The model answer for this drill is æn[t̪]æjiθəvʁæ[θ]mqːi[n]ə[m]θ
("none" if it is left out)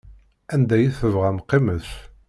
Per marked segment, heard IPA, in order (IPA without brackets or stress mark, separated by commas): d̪, none, m, none